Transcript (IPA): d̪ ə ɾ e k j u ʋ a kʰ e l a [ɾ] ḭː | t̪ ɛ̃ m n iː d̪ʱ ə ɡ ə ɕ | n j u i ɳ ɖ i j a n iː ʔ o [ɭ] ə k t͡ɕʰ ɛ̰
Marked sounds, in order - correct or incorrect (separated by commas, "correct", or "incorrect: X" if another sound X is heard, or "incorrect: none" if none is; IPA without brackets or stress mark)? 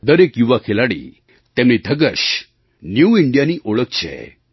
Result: incorrect: ɽ, correct